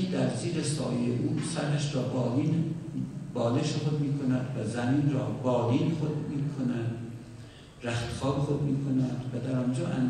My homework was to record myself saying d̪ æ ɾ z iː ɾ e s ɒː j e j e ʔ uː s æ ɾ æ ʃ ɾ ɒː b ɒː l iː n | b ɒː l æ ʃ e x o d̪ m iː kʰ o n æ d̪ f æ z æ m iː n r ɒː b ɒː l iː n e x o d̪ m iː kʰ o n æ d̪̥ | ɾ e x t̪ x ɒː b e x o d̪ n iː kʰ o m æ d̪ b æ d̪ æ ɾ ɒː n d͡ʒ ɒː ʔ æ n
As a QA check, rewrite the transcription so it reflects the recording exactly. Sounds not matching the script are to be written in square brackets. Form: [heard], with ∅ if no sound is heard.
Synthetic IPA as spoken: d̪ æ ɾ z iː ɾ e s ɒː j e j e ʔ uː s æ ɾ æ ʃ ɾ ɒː b ɒː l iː n | b ɒː l [e] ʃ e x o d̪ m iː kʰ o n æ d̪ [v] æ z æ m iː n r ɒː b ɒː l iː n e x o d̪ m iː kʰ o n æ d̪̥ | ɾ [æ] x t̪ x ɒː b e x o d̪ [m] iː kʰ o [n] æ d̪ [v] æ d̪ æ ɾ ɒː n d͡ʒ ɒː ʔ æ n